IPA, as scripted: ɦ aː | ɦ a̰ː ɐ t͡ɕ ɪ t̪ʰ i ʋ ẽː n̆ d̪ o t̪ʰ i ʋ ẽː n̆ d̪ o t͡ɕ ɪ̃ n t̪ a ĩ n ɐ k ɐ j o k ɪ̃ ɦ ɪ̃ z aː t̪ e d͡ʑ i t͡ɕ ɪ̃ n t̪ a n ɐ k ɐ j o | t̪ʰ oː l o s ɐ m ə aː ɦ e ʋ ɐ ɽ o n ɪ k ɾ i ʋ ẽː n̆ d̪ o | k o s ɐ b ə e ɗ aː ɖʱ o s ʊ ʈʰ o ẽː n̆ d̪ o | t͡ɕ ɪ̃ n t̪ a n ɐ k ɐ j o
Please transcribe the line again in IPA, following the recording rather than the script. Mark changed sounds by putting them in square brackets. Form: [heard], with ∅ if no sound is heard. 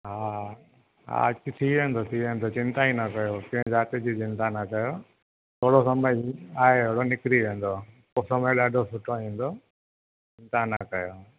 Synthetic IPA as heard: ɦ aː | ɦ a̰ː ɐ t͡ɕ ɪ t̪ʰ i ʋ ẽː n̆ d̪ o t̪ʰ i ʋ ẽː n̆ d̪ o t͡ɕ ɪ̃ n t̪ a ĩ n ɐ k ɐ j o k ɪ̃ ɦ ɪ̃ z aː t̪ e d͡ʑ i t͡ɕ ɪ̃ n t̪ a n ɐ k ɐ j o | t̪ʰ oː [ɽ] o s ɐ m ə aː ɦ e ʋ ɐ ɽ o n ɪ k ɾ i ʋ ẽː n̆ d̪ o | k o s ɐ [m] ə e ɗ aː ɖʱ o s ʊ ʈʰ o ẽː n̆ d̪ o | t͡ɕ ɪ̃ n t̪ a n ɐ k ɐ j o

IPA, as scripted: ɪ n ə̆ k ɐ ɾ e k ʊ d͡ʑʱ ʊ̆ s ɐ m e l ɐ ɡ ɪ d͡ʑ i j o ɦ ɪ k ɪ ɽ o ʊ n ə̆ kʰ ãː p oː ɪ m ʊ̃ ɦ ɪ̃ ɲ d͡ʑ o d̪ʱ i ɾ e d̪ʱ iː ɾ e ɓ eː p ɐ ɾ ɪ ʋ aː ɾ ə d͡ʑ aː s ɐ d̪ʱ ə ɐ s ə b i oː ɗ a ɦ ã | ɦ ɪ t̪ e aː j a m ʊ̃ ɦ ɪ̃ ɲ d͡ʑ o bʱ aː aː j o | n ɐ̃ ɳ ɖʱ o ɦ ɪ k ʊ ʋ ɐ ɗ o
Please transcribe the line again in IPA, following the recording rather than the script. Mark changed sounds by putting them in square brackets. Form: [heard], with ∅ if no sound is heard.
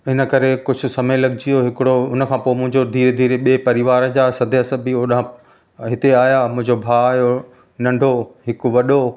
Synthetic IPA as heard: ɪ n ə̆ k ɐ ɾ e k ʊ d͡ʑʱ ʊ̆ s ɐ m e l ɐ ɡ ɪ d͡ʑ i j o ɦ ɪ k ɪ ɽ o ʊ n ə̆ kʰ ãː p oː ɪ m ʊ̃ ɦ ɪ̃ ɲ d͡ʑ o d̪ʱ [iː] ɾ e d̪ʱ iː ɾ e ɓ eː p ɐ ɾ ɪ ʋ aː ɾ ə d͡ʑ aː s ɐ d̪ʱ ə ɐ s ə b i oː ɗ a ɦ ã | ɦ ɪ t̪ e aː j a m ʊ̃ ɦ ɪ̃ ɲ d͡ʑ o bʱ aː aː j o | n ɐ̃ ɳ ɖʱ o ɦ ɪ k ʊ ʋ ɐ ɗ o

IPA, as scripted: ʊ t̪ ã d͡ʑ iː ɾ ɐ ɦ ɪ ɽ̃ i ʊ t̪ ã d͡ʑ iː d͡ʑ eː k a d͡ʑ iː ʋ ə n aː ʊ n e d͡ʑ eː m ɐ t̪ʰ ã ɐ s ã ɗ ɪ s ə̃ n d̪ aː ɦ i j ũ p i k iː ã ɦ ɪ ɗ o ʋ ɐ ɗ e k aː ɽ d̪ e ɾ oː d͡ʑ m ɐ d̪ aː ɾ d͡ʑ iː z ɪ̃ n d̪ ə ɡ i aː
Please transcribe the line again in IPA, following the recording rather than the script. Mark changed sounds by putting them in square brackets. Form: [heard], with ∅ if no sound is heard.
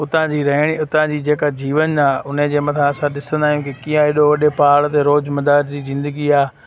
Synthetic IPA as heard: ʊ t̪ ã d͡ʑ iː ɾ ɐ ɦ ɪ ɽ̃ i ʊ t̪ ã d͡ʑ iː d͡ʑ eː k a d͡ʑ iː ʋ ə n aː ʊ n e d͡ʑ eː m ɐ t̪ʰ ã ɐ s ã ɗ ɪ s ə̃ n d̪ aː ɦ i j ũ [k] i k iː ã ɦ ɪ ɗ o ʋ ɐ ɗ e [p] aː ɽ [t̪] e ɾ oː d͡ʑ m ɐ d̪ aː ɾ d͡ʑ iː z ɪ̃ n d̪ ə ɡ i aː

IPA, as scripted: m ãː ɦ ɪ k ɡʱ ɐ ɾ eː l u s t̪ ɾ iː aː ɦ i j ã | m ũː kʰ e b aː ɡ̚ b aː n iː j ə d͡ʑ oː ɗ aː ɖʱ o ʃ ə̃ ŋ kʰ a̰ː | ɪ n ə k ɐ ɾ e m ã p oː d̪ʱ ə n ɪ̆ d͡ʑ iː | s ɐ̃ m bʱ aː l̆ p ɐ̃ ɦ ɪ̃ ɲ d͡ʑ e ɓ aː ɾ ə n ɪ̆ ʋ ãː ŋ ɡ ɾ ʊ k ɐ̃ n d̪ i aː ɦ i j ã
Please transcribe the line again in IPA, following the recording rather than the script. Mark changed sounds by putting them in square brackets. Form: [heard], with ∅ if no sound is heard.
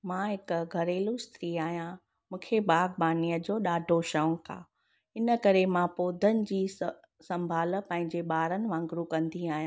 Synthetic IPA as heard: m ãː ɦ ɪ k ɡʱ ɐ ɾ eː l u s t̪ ɾ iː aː ɦ i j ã | m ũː kʰ e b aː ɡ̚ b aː n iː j ə d͡ʑ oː ɗ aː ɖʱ o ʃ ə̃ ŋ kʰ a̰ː | ɪ n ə k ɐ ɾ e m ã p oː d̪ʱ ə n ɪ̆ d͡ʑ iː | s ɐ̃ m bʱ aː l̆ p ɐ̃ ɦ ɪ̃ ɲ d͡ʑ e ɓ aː ɾ ə n ɪ̆ ʋ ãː ŋ ɡ ɾ [u] k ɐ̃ n d̪ i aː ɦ i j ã

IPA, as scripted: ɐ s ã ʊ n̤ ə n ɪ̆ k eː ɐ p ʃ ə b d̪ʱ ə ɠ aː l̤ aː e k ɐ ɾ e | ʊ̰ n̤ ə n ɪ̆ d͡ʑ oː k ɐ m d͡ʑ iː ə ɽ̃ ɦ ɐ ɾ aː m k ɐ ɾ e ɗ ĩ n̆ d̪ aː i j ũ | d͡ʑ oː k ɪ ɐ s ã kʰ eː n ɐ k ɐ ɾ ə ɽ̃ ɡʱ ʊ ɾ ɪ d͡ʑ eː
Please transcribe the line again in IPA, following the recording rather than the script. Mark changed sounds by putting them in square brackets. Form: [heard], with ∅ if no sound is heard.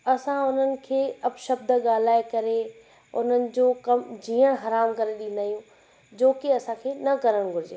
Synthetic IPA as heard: ɐ s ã ʊ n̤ ə n ɪ̆ [kʰ] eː ɐ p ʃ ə b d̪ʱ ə ɠ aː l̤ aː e k ɐ ɾ e | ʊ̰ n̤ ə n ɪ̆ d͡ʑ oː k ɐ m d͡ʑ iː ə ɽ̃ ɦ ɐ ɾ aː m k ɐ ɾ e ɗ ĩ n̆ d̪ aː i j ũ | d͡ʑ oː k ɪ ɐ s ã kʰ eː n ɐ k ɐ ɾ ə ɽ̃ ɡʱ ʊ ɾ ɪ d͡ʑ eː

